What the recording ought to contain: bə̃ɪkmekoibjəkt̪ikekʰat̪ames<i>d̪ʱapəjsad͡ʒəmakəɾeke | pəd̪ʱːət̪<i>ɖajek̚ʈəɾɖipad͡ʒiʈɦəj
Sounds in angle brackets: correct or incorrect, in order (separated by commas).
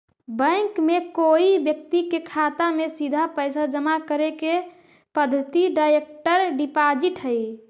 correct, correct